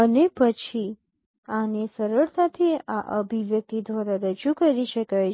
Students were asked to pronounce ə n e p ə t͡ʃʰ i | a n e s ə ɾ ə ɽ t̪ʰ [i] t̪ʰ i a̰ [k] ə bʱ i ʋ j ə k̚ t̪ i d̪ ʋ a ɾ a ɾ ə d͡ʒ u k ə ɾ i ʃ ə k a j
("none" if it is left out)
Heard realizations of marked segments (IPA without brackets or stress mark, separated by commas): a, ʔ